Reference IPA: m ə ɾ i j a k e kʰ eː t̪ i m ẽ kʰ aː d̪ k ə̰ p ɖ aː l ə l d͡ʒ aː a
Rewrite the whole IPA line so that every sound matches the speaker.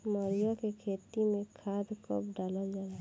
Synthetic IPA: m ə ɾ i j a k e kʰ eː t̪ i m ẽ kʰ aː d̪ k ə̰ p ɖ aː l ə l d͡ʒ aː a